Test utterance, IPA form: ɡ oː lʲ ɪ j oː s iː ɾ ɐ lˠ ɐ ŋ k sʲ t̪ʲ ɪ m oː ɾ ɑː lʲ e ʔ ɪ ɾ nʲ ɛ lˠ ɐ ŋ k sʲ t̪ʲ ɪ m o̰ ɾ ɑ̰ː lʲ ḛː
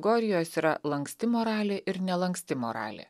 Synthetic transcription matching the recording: ɡ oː ɾʲ ɪ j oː s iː ɾ ɐ lˠ ɐ ŋ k sʲ t̪ʲ ɪ m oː ɾ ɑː lʲ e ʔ ɪ ɾ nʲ ɛ lˠ ɐ ŋ k sʲ t̪ʲ ɪ m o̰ ɾ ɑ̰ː lʲ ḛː